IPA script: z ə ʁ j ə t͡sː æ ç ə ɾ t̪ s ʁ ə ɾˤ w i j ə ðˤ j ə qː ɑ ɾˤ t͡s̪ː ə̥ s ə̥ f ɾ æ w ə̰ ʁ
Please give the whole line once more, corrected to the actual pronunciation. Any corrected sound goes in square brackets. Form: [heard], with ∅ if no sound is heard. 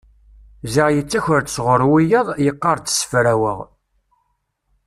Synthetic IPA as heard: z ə ʁ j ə t͡sː æ ç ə ɾ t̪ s ʁ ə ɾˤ w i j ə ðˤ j ə qː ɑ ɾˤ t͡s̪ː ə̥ s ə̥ f ɾ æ w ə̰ ʁ